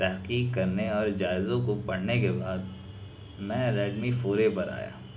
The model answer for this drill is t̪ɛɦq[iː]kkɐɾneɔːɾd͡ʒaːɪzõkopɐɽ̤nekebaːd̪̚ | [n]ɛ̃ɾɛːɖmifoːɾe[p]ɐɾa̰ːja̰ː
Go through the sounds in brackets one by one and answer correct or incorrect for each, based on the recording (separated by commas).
correct, incorrect, correct